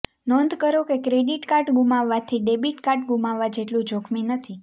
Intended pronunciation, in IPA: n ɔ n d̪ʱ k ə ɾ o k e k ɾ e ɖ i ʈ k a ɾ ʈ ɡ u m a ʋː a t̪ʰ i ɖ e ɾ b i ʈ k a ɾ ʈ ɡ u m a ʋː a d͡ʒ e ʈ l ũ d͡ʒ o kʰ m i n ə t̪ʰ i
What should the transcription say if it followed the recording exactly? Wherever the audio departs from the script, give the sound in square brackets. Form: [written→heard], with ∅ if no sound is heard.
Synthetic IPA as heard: n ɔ n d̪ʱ k ə ɾ o k e k ɾ e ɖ i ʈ k a ɾ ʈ ɡ u m a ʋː a t̪ʰ i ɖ e [ɾ→∅] b i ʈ k a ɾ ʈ ɡ u m a ʋː a d͡ʒ e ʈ l ũ d͡ʒ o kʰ m i n ə t̪ʰ i